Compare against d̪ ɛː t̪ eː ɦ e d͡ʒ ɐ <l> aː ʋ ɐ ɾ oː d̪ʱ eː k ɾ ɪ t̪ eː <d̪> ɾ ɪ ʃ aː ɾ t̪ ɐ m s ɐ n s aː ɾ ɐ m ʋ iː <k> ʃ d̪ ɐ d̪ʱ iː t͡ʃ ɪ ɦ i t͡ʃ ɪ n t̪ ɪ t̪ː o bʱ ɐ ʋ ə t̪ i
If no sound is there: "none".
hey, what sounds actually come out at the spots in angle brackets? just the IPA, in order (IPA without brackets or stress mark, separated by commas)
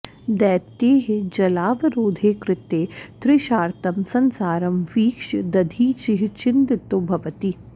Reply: l, t̪, k